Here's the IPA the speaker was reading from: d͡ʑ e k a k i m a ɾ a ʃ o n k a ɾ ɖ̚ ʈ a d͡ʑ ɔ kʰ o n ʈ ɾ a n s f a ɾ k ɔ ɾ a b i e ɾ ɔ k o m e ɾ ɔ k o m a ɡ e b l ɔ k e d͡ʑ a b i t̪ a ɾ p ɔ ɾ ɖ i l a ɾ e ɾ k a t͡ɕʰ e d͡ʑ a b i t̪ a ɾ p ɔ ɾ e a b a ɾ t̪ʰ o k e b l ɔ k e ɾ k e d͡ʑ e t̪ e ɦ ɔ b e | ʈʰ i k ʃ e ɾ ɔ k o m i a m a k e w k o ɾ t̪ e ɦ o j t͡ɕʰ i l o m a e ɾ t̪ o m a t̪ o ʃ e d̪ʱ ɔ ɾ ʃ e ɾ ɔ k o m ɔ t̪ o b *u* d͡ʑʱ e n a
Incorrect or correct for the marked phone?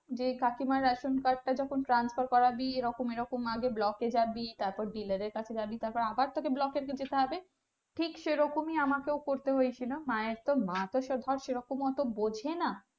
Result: incorrect: o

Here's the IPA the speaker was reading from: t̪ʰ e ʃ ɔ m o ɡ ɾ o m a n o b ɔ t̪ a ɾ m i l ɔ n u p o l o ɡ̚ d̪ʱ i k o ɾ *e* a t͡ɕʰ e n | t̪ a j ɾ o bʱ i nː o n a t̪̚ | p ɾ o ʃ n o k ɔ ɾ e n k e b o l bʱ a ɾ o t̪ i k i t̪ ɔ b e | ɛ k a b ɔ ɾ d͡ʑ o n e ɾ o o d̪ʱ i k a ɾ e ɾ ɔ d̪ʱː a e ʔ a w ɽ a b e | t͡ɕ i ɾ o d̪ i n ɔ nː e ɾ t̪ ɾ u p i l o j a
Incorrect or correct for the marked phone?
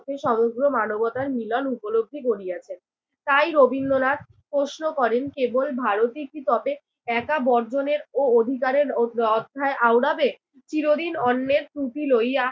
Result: incorrect: i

